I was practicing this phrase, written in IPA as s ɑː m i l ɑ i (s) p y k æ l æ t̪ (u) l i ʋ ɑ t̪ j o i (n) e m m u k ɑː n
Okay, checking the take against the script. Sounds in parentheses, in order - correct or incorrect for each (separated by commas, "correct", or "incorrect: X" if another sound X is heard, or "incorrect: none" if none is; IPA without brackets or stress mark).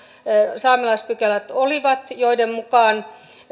correct, incorrect: o, incorrect: d